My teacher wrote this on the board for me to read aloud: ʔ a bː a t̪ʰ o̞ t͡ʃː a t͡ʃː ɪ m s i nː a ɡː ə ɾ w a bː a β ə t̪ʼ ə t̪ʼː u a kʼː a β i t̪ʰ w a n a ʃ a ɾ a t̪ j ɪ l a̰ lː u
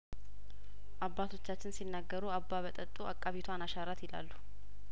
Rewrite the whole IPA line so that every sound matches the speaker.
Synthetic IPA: ʔ a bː a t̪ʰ o̞ t͡ʃː a t͡ʃː ɪ n s i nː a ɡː ə ɾ u a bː a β ə t̪ʼ ə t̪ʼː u a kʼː a β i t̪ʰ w a n a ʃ a ɾ a t̪ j ɪ l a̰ lː u